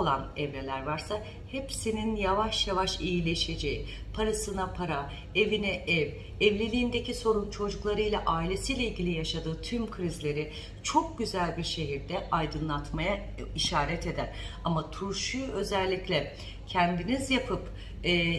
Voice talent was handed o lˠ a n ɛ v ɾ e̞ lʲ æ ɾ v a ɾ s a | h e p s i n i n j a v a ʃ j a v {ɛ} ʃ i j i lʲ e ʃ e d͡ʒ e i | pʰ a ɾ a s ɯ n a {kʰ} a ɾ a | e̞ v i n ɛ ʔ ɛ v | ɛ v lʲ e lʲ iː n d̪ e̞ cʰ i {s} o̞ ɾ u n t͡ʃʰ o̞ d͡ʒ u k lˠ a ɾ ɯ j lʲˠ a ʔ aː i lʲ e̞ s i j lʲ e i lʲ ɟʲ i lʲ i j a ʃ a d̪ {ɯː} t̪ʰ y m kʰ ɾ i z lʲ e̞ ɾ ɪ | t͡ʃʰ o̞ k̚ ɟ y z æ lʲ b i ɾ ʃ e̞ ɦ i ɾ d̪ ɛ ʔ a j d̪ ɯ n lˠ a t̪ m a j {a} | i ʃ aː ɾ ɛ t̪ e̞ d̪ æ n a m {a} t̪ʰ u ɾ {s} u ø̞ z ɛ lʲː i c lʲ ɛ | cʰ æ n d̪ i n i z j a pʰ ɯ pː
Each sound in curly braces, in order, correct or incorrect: incorrect, incorrect, correct, correct, correct, correct, incorrect

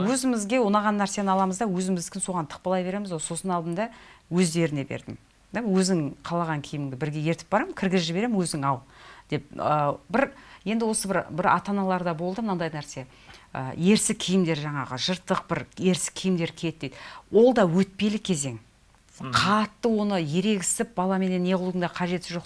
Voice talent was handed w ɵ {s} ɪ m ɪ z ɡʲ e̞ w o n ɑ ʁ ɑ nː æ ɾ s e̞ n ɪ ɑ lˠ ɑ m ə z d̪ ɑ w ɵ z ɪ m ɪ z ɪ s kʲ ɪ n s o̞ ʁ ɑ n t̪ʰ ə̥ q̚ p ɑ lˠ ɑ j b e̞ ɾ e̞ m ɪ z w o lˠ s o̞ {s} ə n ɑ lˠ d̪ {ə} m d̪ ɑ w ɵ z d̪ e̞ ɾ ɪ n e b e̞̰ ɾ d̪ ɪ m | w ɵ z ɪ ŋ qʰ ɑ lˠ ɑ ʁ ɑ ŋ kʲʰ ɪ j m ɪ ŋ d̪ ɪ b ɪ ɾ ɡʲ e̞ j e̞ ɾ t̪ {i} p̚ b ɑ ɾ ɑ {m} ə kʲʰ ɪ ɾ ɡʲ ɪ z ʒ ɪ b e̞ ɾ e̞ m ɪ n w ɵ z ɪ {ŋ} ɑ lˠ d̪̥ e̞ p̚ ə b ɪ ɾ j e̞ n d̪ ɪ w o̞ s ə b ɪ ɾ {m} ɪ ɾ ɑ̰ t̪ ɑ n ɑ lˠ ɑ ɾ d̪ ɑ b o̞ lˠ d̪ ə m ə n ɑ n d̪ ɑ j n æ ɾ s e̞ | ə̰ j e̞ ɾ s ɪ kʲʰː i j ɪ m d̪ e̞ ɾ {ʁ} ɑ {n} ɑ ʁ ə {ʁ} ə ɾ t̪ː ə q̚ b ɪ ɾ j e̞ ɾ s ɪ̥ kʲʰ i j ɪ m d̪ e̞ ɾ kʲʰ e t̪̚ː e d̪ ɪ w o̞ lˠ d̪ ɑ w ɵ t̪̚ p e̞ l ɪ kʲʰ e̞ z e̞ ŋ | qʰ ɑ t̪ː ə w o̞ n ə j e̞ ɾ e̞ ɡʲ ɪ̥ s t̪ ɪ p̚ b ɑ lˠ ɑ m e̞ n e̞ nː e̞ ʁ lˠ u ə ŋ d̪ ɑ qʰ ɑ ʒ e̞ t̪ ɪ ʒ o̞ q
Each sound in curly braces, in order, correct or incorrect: incorrect, correct, correct, incorrect, correct, correct, incorrect, incorrect, incorrect, incorrect

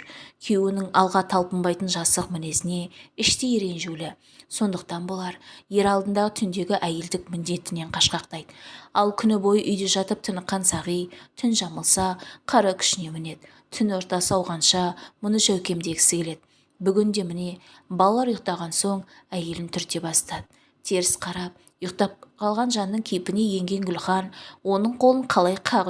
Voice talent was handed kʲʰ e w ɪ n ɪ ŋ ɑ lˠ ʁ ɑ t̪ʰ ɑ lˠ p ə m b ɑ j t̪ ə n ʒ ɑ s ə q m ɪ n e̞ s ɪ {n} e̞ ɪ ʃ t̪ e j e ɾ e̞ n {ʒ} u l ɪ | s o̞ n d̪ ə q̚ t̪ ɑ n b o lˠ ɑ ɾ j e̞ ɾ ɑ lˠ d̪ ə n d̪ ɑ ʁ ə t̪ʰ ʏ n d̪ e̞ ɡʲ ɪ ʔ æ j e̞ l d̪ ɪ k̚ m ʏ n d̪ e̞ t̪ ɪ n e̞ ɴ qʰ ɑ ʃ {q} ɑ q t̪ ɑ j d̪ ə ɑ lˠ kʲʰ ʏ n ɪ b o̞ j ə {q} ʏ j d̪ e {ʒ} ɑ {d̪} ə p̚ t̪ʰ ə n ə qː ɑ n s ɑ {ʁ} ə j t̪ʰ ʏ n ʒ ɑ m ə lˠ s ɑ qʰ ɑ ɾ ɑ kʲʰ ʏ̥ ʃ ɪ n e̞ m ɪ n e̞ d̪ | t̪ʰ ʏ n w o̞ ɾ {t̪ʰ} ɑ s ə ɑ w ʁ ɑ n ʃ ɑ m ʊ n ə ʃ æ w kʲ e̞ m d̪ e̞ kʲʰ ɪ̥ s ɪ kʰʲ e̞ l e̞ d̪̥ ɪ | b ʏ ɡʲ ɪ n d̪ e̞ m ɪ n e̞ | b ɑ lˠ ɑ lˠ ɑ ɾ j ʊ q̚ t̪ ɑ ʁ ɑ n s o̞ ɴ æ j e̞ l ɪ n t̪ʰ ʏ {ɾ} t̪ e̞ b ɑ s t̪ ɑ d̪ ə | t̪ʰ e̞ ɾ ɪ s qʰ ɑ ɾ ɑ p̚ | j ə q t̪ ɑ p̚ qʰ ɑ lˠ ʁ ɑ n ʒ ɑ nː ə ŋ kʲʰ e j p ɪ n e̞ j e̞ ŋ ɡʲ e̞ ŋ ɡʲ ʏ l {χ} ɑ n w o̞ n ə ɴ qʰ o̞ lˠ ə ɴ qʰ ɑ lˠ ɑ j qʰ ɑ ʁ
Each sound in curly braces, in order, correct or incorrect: correct, correct, correct, incorrect, correct, incorrect, correct, incorrect, correct, correct

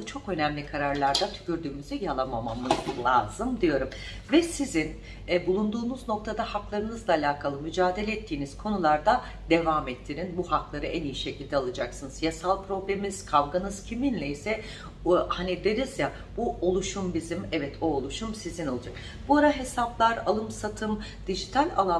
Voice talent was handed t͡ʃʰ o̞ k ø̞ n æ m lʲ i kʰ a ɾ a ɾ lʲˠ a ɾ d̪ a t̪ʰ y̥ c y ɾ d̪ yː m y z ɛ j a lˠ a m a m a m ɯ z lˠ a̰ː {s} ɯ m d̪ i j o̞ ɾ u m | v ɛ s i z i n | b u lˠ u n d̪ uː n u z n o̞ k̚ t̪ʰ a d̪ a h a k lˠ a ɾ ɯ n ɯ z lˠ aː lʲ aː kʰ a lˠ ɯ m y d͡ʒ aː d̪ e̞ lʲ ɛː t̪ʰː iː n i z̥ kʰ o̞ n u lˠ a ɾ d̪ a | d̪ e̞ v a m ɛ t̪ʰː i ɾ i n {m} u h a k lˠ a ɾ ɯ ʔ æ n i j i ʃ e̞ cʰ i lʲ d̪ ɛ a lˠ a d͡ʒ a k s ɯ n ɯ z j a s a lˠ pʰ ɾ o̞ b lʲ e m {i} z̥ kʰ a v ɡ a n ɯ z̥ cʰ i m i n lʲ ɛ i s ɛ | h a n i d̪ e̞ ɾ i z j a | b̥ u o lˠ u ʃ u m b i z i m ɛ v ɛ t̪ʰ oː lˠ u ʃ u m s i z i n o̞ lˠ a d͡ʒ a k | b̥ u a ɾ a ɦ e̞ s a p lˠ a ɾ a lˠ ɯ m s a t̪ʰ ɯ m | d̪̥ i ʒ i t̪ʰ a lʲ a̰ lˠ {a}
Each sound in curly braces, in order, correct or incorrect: incorrect, incorrect, correct, correct

